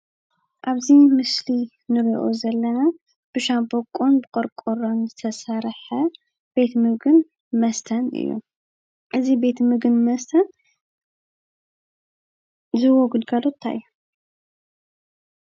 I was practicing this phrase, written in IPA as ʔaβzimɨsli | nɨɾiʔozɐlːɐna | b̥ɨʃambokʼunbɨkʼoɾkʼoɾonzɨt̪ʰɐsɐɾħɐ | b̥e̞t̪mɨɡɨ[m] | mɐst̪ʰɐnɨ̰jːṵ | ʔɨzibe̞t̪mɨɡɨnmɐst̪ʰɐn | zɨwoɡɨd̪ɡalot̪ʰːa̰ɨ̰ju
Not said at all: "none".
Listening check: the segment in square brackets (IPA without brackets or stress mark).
n